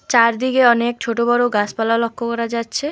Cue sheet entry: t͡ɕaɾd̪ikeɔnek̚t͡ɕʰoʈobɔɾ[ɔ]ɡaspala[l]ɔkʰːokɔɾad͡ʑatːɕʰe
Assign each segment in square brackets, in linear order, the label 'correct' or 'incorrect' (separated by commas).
incorrect, correct